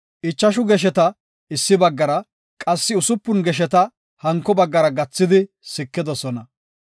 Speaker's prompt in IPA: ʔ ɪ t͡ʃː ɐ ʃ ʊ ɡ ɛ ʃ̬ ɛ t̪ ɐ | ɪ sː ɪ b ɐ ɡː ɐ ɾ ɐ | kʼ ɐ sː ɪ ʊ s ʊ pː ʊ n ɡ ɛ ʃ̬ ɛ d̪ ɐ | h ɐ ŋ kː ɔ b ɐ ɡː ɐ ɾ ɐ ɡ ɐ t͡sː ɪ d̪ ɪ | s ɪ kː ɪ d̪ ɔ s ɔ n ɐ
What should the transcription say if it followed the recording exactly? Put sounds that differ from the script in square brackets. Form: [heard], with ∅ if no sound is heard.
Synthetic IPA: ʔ ɪ t͡ʃː ɐ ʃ ʊ ɡ ɛ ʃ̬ ɛ t̪ ɐ | ɪ sː ɪ b ɐ ɡː ɐ ɾ ɐ | kʼ ɐ sː ɪ ʊ s ʊ pː ʊ n ɡ ɛ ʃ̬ ɛ [t̪] ɐ | h ɐ ŋ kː ɔ b ɐ ɡː ɐ ɾ ɐ ɡ ɐ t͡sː ɪ d̪ ɪ | s ɪ kː ɪ d̪ ɔ s ɔ n ɐ

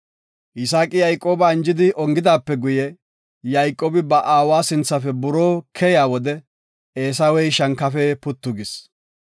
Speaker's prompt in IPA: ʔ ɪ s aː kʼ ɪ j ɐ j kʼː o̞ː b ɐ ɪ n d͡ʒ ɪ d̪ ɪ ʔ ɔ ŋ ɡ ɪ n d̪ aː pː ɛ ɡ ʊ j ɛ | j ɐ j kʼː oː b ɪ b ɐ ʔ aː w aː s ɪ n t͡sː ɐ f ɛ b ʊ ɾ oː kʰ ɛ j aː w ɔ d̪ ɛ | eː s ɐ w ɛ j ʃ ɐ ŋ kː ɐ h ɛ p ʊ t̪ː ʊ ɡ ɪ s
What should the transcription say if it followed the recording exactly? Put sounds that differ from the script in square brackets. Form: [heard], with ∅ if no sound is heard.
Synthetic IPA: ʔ ɪ s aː kʼ ɪ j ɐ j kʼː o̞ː b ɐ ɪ n d͡ʒ ɪ d̪ ɪ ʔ ɔ ŋ ɡ ɪ [∅] d̪ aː pː ɛ ɡ ʊ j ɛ | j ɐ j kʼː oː b ɪ b ɐ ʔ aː w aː s ɪ n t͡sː ɐ f ɛ b ʊ ɾ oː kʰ ɛ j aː w ɔ d̪ ɛ | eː s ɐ w ɛ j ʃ ɐ ŋ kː ɐ [f] ɛ p ʊ t̪ː ʊ ɡ ɪ s

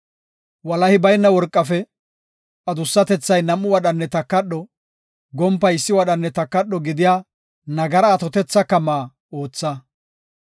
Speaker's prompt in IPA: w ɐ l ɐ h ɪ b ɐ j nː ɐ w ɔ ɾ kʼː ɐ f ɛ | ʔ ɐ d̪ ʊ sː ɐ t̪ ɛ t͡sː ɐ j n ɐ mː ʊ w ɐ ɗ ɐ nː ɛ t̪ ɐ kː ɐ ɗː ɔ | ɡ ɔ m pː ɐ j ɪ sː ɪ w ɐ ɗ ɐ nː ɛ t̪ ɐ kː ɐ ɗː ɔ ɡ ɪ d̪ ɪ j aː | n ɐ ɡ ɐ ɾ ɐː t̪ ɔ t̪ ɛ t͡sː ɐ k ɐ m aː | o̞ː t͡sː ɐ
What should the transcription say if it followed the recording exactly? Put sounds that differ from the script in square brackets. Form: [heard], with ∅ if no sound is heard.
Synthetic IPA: w ɐ l ɐ h ɪ b ɐ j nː ɐ w ɔ ɾ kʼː ɐ f ɛ | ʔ ɐ d̪ ʊ sː ɐ t̪ ɛ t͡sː ɐ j n ɐ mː ʊ w ɐ ɗ ɐ nː ɛ t̪ ɐ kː ɐ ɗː ɔ | ɡ ɔ m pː ɐ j ɪ sː ɪ w ɐ ɗ ɐ nː ɛ t̪ ɐ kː ɐ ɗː ɔ ɡ ɪ d̪ ɪ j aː | n ɐ ɡ ɐ ɾ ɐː t̪ ɔ t̪ ɛ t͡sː ɐ k ɐ m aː | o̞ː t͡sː ɐ

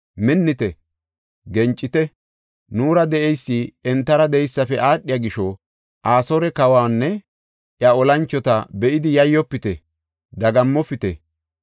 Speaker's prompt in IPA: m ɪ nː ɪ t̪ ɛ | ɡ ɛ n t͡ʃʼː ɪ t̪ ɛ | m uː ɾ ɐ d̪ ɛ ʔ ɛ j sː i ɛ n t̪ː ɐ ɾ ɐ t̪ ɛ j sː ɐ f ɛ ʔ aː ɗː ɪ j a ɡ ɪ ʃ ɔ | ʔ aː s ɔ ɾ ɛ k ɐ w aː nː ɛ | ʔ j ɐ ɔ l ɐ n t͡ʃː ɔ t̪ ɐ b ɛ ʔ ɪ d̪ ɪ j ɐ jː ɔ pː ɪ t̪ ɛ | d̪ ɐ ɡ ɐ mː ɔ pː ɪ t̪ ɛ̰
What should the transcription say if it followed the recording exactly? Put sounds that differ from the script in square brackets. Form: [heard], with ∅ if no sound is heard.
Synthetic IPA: m ɪ nː ɪ t̪ ɛ | ɡ ɛ n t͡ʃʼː ɪ t̪ ɛ | [n] uː ɾ ɐ d̪ ɛ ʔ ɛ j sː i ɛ n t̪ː ɐ ɾ ɐ [d̪] ɛ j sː ɐ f ɛ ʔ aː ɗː ɪ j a ɡ ɪ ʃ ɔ | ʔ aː s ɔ ɾ ɛ k ɐ w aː nː ɛ | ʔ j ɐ ɔ l ɐ n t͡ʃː ɔ t̪ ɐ b ɛ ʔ ɪ d̪ ɪ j ɐ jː ɔ pː ɪ t̪ ɛ | d̪ ɐ ɡ ɐ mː ɔ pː ɪ t̪ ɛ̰

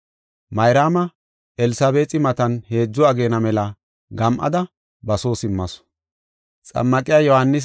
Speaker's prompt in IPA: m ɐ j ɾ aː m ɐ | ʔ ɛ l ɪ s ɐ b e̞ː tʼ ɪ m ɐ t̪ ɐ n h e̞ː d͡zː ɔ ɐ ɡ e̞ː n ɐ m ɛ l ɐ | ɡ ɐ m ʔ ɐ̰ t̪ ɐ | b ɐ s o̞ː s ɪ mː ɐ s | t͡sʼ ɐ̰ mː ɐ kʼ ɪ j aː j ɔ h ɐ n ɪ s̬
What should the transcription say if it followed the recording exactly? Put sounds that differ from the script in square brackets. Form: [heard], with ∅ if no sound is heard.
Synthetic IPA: m ɐ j ɾ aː m ɐ | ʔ ɛ l ɪ s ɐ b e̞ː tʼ ɪ m ɐ t̪ ɐ n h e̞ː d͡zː ɔ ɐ ɡ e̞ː n ɐ m ɛ l ɐ | ɡ ɐ m ʔ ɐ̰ [d̪] ɐ | b ɐ s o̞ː s ɪ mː ɐ s | t͡sʼ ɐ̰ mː ɐ kʼ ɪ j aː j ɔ h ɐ [nː] ɪ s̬

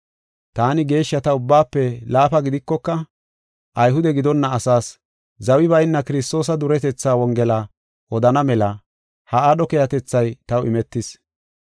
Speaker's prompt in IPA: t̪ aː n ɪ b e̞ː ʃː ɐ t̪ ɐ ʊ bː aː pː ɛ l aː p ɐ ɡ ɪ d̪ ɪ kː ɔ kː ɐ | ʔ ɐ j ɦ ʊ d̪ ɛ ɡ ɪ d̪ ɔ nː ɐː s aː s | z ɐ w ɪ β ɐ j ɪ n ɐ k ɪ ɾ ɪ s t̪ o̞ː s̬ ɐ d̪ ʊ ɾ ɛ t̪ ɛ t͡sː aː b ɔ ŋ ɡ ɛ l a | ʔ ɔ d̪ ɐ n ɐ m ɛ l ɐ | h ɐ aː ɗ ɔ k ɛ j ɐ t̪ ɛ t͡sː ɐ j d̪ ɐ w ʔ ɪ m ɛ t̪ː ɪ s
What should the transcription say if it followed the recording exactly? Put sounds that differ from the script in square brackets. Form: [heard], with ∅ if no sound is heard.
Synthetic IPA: t̪ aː n ɪ [ɡ] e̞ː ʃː ɐ t̪ ɐ ʊ bː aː pː ɛ l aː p ɐ ɡ ɪ d̪ ɪ kː ɔ kː ɐ | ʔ ɐ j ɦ ʊ d̪ ɛ ɡ ɪ d̪ ɔ nː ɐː s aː s | z ɐ w ɪ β ɐ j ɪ [nː] ɐ k ɪ ɾ ɪ s t̪ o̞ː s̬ ɐ d̪ ʊ ɾ ɛ t̪ ɛ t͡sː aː [w] ɔ ŋ ɡ ɛ l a | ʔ ɔ d̪ ɐ n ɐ m ɛ l ɐ | h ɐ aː ɗ ɔ k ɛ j ɐ t̪ ɛ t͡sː ɐ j [t̪] ɐ w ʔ ɪ m ɛ t̪ː ɪ s

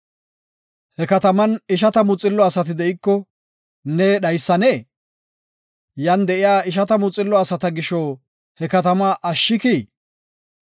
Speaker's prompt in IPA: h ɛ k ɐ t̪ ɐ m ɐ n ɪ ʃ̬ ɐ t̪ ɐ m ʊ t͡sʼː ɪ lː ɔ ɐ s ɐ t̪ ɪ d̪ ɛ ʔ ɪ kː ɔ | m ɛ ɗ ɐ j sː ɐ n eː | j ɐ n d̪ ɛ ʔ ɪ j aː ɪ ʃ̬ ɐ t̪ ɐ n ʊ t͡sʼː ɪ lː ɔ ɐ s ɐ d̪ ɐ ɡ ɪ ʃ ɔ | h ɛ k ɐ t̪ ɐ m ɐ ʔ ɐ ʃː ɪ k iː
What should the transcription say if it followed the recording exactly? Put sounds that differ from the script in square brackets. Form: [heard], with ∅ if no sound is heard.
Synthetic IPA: h ɛ k ɐ t̪ ɐ m ɐ n ɪ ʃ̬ ɐ t̪ ɐ m ʊ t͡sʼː ɪ lː ɔ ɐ s ɐ t̪ ɪ d̪ ɛ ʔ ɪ kː ɔ | [n] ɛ ɗ ɐ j sː ɐ n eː | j ɐ n d̪ ɛ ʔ ɪ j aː ɪ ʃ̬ ɐ t̪ ɐ [m] ʊ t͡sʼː ɪ lː ɔ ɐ s ɐ [t̪] ɐ ɡ ɪ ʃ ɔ | h ɛ k ɐ t̪ ɐ m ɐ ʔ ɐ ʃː ɪ k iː

